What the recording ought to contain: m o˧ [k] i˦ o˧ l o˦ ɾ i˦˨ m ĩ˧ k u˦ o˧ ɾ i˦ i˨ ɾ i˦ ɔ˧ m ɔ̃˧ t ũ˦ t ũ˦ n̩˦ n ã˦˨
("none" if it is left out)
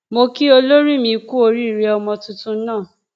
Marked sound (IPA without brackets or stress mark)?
k